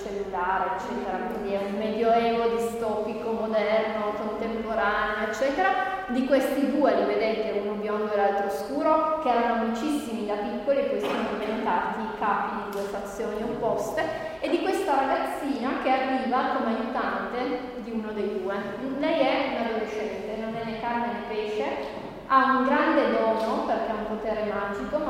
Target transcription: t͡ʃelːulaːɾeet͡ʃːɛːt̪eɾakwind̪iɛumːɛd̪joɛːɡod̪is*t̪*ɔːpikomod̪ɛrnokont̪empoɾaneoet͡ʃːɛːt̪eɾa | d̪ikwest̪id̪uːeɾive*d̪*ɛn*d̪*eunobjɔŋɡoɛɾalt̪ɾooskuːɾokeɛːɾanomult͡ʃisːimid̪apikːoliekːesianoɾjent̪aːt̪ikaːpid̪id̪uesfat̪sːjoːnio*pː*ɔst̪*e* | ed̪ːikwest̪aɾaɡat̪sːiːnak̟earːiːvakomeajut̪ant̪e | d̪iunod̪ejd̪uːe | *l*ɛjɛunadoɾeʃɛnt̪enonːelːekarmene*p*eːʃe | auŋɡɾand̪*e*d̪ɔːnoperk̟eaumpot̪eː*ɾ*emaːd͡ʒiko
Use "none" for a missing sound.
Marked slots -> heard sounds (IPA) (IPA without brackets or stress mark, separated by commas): t̪, d̪, t̪, pː, e, l, p, e, ɾ